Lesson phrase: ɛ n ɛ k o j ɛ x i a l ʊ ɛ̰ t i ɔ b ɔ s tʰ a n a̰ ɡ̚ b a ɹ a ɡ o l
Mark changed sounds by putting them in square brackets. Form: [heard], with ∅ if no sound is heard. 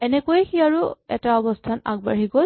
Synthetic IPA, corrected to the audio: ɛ n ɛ k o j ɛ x i a [ɹ] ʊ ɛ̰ t [a] ɔ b ɔ s tʰ a n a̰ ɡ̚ b a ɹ [i] ɡ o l